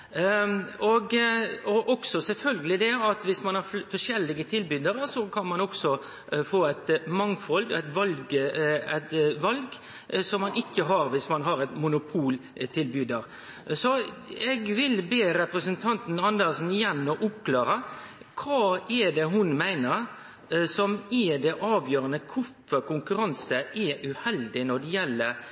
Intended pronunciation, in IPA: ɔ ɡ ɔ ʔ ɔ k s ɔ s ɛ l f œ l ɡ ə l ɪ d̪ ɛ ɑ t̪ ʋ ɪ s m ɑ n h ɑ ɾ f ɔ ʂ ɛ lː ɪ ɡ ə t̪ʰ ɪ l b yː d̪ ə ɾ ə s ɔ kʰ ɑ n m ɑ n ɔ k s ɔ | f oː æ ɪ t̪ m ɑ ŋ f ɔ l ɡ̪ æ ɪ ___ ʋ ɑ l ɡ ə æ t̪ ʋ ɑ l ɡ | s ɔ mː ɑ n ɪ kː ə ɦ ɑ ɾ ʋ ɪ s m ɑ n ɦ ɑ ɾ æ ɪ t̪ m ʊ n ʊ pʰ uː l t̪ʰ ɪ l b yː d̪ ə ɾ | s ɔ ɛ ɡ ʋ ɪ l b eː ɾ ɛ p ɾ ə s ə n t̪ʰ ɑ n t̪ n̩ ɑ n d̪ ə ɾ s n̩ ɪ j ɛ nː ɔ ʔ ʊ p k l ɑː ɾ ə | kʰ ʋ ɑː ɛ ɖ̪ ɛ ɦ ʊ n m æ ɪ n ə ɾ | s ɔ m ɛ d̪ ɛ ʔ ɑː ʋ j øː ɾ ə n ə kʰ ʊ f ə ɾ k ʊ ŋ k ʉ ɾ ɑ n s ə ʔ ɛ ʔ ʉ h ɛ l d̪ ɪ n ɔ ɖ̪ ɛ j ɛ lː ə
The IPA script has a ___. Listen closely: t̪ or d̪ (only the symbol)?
t̪